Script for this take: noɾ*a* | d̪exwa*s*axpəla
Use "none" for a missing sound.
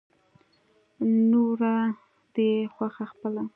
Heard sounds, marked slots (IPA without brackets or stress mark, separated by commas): a, x